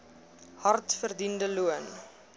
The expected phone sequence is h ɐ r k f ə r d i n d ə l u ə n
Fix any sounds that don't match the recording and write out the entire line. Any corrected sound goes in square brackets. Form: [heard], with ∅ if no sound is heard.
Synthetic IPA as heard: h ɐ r [t] f ə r d i n d ə l u ə n